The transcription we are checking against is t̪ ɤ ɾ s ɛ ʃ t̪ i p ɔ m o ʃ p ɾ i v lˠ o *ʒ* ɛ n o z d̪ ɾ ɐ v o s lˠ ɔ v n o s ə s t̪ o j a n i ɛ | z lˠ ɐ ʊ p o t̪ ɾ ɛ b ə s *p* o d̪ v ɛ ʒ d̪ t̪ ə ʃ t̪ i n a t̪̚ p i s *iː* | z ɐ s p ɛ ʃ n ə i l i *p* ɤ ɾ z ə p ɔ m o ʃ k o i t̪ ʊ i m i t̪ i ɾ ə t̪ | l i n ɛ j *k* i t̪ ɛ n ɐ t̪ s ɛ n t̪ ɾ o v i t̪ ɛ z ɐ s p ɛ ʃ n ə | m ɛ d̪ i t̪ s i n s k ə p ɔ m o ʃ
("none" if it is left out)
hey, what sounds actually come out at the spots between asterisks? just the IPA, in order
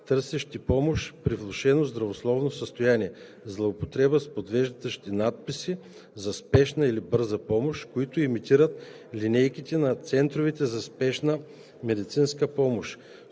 ʃ, p, i, b, k

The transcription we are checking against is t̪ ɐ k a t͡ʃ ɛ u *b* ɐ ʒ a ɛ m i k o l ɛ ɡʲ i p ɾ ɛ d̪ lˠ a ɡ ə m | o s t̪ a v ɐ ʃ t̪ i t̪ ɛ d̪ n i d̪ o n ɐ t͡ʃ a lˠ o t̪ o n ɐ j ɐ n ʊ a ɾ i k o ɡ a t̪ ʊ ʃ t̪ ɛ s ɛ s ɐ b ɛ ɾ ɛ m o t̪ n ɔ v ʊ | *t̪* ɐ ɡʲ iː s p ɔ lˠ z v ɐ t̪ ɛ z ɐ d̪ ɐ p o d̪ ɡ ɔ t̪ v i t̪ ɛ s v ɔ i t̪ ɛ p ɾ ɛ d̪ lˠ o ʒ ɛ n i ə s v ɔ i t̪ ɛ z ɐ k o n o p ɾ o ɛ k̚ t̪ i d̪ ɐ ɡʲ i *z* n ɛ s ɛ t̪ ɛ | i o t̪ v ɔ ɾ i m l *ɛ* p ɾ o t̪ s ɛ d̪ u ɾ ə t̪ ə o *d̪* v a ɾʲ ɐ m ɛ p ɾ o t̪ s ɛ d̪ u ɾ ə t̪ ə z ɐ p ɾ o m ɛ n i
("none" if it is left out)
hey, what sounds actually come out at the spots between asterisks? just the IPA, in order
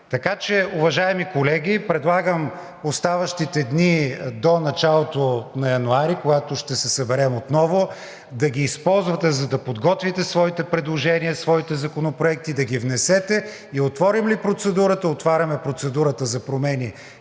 v, d̪, v, i, t̪

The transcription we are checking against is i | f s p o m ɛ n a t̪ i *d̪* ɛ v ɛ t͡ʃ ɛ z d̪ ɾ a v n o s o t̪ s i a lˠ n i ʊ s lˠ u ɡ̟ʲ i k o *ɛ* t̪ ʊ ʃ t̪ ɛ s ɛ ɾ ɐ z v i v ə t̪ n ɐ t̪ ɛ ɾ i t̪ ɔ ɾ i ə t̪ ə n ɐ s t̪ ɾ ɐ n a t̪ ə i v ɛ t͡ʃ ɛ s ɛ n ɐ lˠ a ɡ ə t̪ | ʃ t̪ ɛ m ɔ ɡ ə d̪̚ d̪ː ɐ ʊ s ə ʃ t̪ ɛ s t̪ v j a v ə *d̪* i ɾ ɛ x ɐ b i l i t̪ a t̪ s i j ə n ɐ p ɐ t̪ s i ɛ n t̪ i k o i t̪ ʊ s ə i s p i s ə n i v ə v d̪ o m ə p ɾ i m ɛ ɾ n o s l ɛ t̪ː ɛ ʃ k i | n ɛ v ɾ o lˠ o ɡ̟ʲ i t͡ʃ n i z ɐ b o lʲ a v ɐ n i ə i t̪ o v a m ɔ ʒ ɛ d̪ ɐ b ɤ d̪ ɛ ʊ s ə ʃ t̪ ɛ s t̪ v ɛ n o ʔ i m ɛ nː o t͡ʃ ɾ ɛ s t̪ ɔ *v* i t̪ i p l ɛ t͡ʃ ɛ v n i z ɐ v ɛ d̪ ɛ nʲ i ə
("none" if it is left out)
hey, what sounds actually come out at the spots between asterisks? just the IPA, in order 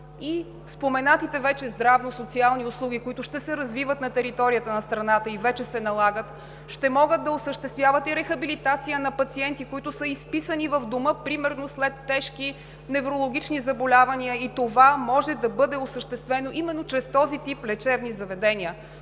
t̪, i, t̪, z

